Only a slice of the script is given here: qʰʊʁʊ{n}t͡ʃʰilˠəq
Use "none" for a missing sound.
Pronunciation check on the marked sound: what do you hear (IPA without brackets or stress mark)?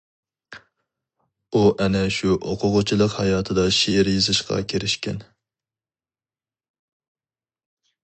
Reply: none